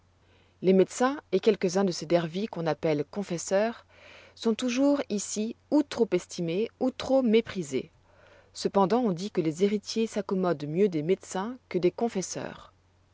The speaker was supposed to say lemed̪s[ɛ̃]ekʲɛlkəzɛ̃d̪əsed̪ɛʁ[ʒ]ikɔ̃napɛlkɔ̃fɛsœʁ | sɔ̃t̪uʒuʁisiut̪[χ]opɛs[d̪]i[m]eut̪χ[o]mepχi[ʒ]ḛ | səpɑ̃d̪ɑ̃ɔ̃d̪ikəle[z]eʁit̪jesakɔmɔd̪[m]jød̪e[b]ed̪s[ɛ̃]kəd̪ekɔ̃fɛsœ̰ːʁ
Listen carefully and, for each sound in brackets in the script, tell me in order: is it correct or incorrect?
correct, incorrect: v, correct, incorrect: t̪, correct, correct, incorrect: z, correct, correct, incorrect: m, correct

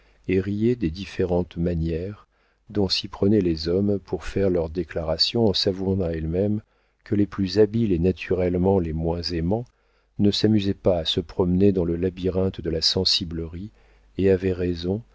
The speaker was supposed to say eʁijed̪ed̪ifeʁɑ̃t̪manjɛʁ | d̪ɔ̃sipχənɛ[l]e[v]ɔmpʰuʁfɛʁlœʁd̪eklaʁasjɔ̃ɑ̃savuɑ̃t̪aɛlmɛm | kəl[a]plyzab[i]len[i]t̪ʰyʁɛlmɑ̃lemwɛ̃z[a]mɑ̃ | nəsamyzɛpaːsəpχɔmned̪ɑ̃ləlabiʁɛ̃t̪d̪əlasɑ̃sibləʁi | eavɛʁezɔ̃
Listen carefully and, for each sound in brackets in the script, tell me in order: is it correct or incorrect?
correct, incorrect: z, incorrect: e, correct, incorrect: a, incorrect: e

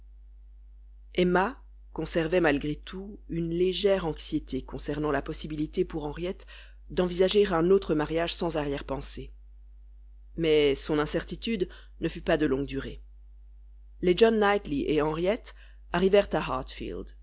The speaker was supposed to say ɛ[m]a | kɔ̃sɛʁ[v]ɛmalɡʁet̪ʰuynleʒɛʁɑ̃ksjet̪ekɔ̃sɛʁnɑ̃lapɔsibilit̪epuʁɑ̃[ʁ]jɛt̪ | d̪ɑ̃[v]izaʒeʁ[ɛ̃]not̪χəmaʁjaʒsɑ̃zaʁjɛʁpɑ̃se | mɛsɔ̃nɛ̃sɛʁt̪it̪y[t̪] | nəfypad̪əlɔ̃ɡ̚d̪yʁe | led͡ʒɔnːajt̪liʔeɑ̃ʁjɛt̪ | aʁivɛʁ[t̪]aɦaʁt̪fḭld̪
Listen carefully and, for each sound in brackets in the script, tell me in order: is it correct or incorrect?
correct, correct, correct, correct, correct, incorrect: d̪, correct

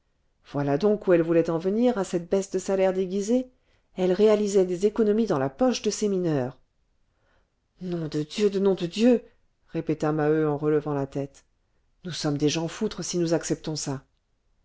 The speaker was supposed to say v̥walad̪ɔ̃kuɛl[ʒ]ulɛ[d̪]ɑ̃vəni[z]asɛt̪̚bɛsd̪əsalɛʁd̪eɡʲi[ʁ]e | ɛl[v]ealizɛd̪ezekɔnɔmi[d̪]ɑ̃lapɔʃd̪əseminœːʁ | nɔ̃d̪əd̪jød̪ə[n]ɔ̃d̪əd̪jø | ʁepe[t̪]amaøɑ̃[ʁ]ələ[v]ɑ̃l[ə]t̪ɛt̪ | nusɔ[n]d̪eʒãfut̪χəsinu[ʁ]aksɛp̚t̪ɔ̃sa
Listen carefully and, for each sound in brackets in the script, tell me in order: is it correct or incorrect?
incorrect: v, incorrect: t̪, incorrect: ʁ, incorrect: z, incorrect: ʁ, correct, correct, correct, correct, correct, incorrect: a, incorrect: m, incorrect: z

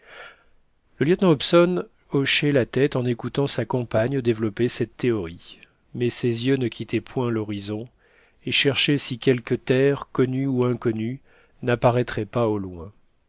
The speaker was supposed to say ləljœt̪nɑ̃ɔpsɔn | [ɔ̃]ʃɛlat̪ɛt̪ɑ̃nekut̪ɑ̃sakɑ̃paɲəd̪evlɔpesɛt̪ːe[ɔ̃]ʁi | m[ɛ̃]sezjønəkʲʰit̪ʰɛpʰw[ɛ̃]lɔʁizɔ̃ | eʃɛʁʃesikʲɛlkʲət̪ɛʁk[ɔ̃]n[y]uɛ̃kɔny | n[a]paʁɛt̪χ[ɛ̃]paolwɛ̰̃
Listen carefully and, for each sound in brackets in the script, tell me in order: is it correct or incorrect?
incorrect: ɔ, incorrect: ɔ, incorrect: ɛ, correct, incorrect: ɔ, correct, correct, incorrect: ɛ

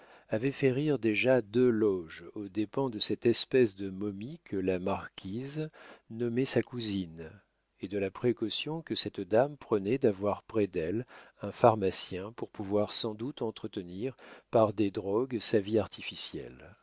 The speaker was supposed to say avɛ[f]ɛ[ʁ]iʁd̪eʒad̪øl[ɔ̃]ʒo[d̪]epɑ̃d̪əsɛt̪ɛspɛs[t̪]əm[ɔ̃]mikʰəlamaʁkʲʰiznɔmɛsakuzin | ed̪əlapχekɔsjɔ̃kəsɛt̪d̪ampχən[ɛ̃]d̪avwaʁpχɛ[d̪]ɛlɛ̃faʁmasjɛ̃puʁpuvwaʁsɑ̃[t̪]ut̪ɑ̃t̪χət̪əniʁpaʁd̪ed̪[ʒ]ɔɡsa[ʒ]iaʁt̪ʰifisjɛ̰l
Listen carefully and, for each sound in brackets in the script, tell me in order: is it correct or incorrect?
correct, correct, incorrect: ɔ, correct, incorrect: d̪, incorrect: ɔ, incorrect: ɛ, correct, incorrect: d̪, incorrect: ʁ, incorrect: v

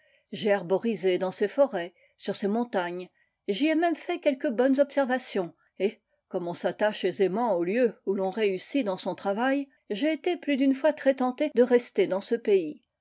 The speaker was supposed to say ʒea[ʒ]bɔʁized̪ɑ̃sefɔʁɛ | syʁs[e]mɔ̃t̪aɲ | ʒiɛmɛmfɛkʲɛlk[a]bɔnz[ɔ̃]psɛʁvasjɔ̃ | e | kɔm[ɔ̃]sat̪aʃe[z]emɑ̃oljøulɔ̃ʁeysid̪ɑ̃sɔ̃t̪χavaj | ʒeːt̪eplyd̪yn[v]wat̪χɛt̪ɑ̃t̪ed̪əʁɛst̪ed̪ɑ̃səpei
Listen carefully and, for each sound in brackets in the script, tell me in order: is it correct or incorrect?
incorrect: ʁ, correct, incorrect: ə, incorrect: ɔ, correct, correct, incorrect: f

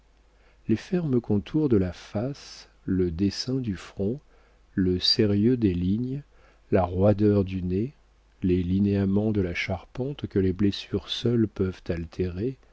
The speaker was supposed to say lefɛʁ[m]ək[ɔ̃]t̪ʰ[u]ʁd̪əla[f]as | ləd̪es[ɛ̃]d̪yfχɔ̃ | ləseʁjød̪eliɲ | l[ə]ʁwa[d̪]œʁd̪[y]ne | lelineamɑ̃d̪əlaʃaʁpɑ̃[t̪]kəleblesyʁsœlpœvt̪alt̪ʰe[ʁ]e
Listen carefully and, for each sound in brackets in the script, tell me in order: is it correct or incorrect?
correct, correct, correct, correct, correct, incorrect: a, correct, correct, correct, correct

